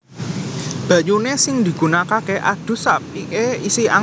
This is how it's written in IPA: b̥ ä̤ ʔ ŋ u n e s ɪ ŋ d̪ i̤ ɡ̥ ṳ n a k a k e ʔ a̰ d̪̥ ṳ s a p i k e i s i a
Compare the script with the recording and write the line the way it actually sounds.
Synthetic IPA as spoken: b̥ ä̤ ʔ ɲ u n e s ɪ ŋ d̪ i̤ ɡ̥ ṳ n a k a k e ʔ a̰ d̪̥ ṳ s a p i k e i s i a